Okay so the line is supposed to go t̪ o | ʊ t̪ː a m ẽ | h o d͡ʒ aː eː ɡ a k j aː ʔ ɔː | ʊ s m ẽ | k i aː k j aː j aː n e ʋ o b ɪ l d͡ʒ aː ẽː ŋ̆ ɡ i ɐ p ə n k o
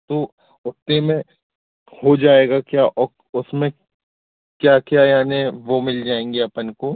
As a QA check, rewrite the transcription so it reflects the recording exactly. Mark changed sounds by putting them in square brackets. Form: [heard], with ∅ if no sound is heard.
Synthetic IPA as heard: t̪ o | ʊ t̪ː [e] m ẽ | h o d͡ʒ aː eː ɡ a k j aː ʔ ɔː | ʊ s m ẽ | k [j] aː k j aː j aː n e ʋ o [m] ɪ l d͡ʒ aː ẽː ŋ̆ ɡ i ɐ p ə n k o